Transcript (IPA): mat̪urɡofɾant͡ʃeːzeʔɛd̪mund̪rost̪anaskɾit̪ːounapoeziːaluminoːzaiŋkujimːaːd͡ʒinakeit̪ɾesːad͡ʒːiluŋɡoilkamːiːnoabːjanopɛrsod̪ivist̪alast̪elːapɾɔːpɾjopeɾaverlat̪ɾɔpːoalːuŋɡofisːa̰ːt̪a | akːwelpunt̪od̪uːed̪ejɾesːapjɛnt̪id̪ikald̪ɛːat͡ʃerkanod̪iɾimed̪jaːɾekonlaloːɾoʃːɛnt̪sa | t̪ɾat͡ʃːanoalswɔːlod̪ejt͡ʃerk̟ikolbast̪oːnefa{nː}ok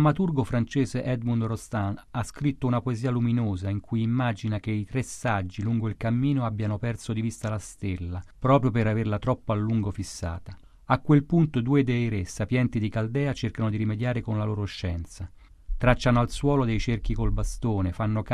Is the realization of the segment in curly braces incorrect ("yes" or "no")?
no